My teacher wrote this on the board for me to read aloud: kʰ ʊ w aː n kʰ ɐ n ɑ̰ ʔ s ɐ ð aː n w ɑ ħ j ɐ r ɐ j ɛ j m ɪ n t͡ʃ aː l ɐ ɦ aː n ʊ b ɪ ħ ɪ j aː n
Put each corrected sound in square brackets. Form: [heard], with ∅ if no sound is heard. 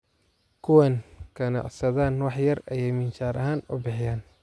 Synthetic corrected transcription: kʰ ʊ w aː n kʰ ɐ n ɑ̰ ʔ s ɐ ð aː n w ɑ ħ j ɐ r ɐ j ɛ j m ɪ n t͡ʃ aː [ɾ] ɐ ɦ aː n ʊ b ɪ ħ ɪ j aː n